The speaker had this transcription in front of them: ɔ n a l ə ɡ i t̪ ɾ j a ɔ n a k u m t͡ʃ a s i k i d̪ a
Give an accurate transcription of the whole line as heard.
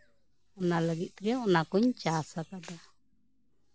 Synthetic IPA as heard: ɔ n a l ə ɡ i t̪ ɾ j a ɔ n a k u ɲ t͡ʃ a s a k a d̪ a